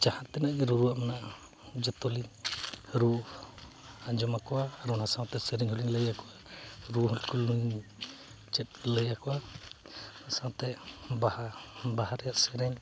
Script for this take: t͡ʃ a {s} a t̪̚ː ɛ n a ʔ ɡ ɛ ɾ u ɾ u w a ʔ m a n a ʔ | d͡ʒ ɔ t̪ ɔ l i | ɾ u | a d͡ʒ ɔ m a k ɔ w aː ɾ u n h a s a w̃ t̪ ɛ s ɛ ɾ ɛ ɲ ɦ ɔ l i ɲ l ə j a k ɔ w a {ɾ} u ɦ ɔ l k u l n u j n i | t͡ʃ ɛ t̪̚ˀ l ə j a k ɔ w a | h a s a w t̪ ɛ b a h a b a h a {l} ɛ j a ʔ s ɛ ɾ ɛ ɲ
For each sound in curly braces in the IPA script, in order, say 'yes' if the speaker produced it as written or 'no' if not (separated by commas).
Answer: no, yes, no